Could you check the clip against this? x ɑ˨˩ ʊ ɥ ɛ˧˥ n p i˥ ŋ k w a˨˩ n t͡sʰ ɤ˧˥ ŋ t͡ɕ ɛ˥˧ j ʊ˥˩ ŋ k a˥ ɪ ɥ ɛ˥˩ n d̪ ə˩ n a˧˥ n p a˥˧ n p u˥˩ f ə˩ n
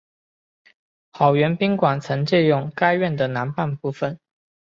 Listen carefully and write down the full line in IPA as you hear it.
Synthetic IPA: x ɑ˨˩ ʊ ɥ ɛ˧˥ n p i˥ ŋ k w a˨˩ n t͡sʰ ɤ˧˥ ŋ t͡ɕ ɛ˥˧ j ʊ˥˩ ŋ k a˥ ɪ ɥ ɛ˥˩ n d̪ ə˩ n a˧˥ n p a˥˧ n p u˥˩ f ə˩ n